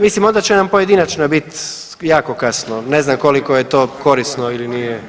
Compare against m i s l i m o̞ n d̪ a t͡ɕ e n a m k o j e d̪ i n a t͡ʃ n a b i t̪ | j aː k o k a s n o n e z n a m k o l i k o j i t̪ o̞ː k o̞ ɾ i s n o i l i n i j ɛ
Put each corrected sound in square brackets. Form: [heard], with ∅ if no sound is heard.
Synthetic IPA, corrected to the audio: m i s l i m o̞ n d̪ a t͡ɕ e n a m [p] o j e d̪ i n a t͡ʃ n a b i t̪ | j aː k o k a s n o n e z n a m k o l i k o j [e] t̪ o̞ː k o̞ ɾ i s n o i l i n i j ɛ

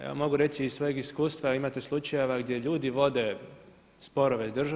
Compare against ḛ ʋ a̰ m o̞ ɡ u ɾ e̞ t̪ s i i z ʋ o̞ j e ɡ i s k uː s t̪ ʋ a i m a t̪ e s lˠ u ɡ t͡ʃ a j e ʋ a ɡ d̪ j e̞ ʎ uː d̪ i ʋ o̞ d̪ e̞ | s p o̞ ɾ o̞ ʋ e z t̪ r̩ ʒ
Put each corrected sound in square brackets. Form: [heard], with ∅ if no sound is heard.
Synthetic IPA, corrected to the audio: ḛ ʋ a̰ m o̞ ɡ u ɾ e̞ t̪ s i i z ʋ o̞ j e ɡ i s k uː s t̪ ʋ a i m a t̪ e s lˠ u [∅] t͡ʃ a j e ʋ a ɡ d̪ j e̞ ʎ uː d̪ i ʋ o̞ d̪ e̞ | s p o̞ ɾ o̞ ʋ e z [d̪] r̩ ʒ

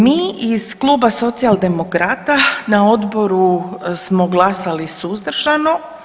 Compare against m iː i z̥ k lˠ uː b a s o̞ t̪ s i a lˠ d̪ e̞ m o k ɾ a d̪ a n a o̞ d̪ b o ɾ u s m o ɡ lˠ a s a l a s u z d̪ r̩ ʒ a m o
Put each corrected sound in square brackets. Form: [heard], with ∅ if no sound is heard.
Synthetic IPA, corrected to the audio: m iː i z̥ k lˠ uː b a s o̞ t̪ s i a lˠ d̪ e̞ m o k ɾ a [t̪] a n a o̞ d̪ b o ɾ u s m o ɡ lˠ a s a l [i] s u z d̪ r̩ ʒ a [n] o

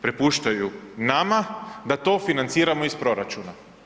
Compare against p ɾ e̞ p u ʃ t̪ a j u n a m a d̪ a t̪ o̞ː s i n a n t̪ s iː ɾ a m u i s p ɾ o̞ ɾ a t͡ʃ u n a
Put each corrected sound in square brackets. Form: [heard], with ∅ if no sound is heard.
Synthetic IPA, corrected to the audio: p ɾ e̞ p u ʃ t̪ a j u n a m a d̪ a t̪ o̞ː [f] i n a n t̪ s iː ɾ a m [o] i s p ɾ o̞ ɾ a t͡ʃ u n a

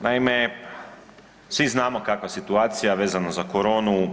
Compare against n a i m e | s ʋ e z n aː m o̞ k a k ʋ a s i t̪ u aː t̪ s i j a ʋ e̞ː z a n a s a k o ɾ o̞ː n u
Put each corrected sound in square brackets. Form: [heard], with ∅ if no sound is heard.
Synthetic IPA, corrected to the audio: n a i m e | s ʋ [i] z n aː m o̞ k a k ʋ a s i t̪ u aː t̪ s i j a ʋ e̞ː z a n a [z] a k o ɾ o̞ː n u

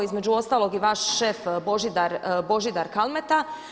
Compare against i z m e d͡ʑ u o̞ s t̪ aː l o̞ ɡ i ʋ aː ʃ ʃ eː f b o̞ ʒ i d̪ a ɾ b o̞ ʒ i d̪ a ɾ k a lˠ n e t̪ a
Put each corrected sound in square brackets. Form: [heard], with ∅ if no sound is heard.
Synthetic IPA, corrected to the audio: i z m e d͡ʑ u o̞ s t̪ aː l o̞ ɡ i ʋ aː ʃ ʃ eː f b o̞ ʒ i d̪ a ɾ b o̞ ʒ i d̪ a ɾ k a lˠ [m] e t̪ a

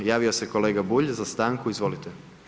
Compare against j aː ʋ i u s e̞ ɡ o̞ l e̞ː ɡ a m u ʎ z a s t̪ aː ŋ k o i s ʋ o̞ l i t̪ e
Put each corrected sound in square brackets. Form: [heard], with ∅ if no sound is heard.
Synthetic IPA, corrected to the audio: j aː ʋ i [o] s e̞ [k] o̞ l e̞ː ɡ a [b] u ʎ z a s t̪ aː ŋ k [u] i [z] ʋ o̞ l i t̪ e

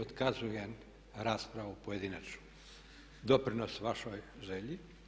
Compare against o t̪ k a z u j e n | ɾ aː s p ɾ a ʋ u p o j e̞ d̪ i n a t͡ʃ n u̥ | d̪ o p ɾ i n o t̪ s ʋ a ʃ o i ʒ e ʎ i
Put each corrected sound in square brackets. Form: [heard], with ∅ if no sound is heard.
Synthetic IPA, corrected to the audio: o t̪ k a z u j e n | ɾ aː s p ɾ a ʋ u p o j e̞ d̪ i n a t͡ʃ n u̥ | d̪ o p ɾ i n o [∅] s ʋ a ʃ o [j] ʒ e ʎ i

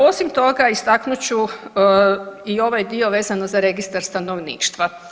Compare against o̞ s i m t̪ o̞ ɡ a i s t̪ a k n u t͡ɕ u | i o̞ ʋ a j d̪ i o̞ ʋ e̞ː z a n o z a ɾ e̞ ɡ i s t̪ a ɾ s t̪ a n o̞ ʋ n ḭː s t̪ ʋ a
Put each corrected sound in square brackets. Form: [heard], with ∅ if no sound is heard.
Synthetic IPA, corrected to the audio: o̞ s i m t̪ o̞ ɡ a i s t̪ a k n u t͡ɕ u | i o̞ ʋ a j d̪ i o̞ ʋ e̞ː z a n o z a ɾ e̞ ɡ i s t̪ a ɾ s t̪ a n o̞ ʋ n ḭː [ʃ] t̪ ʋ a

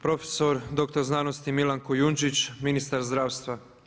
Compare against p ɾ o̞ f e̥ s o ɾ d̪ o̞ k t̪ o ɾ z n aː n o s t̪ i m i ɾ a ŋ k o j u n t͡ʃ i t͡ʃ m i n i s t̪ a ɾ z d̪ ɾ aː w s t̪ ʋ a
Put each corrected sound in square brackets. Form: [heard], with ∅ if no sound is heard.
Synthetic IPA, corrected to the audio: p ɾ o̞ f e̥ s o ɾ d̪ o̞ k t̪ o ɾ z n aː n o s t̪ i m i [l] a ŋ k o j u n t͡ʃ i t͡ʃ m i n i s t̪ a ɾ z d̪ ɾ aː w s t̪ ʋ a

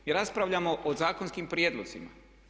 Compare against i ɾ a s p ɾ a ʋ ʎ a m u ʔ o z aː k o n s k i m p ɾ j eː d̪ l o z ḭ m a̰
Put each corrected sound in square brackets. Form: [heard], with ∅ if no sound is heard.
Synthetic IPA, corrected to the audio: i ɾ a s p ɾ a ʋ ʎ a m [o] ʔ o z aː k o n s k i m p ɾ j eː d̪ l o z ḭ m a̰

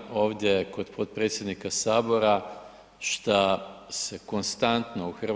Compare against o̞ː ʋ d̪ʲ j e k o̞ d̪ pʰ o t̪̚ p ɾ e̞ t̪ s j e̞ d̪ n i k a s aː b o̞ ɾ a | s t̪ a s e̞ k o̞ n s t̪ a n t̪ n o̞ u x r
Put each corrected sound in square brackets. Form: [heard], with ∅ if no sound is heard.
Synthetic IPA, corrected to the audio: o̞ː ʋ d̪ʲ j e k o̞ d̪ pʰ o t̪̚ p ɾ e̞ t̪ s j e̞ d̪ n i k a s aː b o̞ ɾ a | [ʃ] t̪ a s e̞ k o̞ n s t̪ a n t̪ n o̞ u x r

